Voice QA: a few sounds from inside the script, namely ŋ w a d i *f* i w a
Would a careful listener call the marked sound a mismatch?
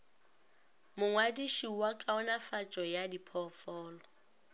yes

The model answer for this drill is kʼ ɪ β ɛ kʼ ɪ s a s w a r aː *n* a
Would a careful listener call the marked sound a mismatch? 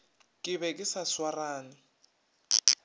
no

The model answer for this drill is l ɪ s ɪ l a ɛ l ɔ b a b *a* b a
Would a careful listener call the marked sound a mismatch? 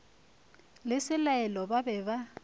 yes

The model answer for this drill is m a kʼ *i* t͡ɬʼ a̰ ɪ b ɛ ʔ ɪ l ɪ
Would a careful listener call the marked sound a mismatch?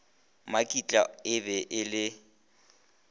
no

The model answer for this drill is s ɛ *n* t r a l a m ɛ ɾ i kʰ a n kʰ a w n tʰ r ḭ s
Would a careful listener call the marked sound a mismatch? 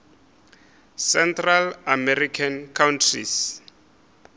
no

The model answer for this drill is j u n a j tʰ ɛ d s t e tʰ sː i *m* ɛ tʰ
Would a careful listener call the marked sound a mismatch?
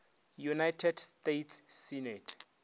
yes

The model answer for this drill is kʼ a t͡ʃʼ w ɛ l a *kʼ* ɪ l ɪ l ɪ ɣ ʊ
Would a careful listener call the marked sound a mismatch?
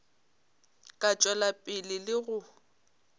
yes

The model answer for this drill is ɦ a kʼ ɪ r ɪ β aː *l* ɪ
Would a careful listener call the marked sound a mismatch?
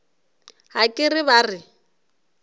yes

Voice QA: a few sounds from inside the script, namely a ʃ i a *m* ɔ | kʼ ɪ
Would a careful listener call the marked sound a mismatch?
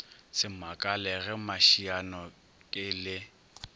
yes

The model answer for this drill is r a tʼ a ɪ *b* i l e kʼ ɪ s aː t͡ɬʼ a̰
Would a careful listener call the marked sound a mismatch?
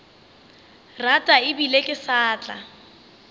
no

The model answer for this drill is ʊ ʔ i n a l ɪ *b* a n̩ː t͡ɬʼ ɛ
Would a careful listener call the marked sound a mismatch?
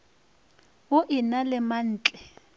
yes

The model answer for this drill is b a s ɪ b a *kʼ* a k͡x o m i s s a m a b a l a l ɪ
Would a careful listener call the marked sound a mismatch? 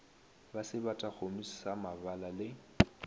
yes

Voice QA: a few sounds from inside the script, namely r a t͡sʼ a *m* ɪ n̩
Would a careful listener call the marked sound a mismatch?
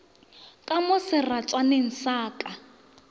yes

